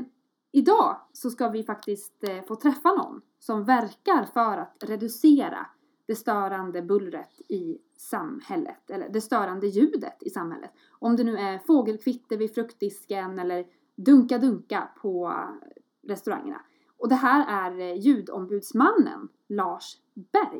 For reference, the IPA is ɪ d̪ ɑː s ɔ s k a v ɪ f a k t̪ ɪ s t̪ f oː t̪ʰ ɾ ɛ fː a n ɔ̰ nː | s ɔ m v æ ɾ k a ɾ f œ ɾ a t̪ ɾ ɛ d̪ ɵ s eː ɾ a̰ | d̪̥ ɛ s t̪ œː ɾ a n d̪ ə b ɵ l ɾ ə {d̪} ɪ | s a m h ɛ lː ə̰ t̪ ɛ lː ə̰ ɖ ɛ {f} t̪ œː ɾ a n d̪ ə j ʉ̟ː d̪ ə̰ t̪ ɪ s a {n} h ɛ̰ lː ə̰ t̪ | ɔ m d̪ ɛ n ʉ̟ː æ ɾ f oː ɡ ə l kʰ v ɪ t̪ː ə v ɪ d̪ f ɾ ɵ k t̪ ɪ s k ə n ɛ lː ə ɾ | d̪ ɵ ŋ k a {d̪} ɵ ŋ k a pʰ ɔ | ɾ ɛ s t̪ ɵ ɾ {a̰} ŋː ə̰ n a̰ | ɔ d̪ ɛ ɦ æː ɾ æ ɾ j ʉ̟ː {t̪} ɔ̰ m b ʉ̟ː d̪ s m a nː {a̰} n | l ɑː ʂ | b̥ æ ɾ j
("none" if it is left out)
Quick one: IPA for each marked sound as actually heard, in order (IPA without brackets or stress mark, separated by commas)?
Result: t̪, s, m, d̪, a̰, d̪, ə̰